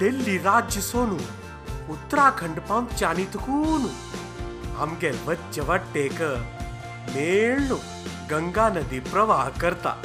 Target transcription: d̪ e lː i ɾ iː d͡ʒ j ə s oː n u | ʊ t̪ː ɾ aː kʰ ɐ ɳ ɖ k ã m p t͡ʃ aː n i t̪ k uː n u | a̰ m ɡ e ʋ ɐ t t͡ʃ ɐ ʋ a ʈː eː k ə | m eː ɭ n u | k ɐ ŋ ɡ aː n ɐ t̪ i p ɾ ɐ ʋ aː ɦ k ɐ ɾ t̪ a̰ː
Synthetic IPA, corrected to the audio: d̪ e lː i ɾ aː d͡ʒ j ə s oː n u | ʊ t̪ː ɾ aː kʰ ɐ ɳ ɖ p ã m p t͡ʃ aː n i t̪ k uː n u | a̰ m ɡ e ʋ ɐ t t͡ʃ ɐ ʋ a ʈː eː k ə | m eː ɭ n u | ɡ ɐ ŋ ɡ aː n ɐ d̪ i p ɾ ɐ ʋ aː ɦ k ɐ ɾ t̪ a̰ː